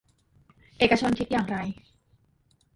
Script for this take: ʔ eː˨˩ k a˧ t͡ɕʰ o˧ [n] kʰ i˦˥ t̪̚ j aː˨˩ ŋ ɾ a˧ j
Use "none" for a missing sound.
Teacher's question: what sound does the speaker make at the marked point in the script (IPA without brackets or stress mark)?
n